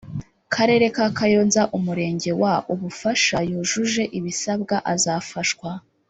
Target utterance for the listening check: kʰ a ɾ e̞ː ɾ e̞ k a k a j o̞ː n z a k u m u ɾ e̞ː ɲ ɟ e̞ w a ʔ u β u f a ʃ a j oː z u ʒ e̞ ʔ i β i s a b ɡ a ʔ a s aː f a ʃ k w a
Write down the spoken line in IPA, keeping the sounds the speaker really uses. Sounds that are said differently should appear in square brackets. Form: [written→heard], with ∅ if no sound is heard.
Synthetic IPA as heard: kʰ a ɾ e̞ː ɾ e̞ k a k a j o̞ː n z a [k→ʔ] u m u ɾ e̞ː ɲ ɟ e̞ w a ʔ u β u f a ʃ a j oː [z→ʒ] u ʒ e̞ ʔ i β i s a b ɡ a ʔ a [s→z] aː f a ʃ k w a